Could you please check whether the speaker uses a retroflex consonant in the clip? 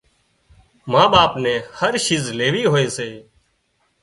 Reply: no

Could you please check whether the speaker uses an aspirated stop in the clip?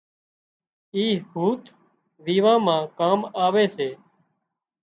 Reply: no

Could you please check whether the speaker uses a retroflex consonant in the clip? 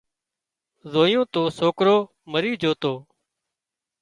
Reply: no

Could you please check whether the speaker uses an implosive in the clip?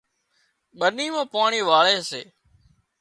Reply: yes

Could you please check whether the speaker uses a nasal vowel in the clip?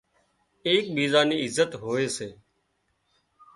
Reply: no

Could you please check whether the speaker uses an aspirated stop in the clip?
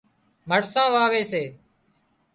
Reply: no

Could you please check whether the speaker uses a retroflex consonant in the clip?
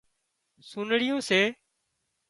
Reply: yes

